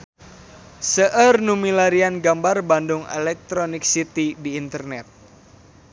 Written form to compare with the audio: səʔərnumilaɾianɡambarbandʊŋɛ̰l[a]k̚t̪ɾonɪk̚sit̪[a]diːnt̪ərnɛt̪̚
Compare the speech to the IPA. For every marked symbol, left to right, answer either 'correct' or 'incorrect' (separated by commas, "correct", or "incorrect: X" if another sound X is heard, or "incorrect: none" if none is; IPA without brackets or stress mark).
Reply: incorrect: ɛ, incorrect: i